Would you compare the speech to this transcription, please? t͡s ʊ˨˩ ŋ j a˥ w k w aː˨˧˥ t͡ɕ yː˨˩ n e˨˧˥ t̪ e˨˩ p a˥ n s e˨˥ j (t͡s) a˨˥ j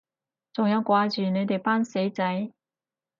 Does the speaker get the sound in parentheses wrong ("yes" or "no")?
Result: no